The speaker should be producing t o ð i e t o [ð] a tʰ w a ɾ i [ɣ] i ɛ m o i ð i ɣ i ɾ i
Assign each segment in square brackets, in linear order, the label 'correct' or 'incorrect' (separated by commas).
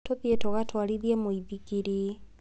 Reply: incorrect, incorrect